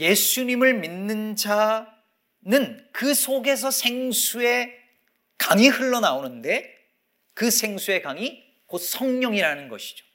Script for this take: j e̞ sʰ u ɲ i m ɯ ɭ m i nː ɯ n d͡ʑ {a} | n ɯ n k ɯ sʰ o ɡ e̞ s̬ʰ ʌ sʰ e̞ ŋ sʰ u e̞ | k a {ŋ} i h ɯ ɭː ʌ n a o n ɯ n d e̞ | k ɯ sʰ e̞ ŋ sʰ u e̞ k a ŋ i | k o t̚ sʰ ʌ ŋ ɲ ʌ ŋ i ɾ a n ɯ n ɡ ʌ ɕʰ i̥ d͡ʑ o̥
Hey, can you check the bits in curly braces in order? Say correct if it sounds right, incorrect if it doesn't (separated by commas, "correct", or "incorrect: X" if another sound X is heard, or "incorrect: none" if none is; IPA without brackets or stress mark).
correct, correct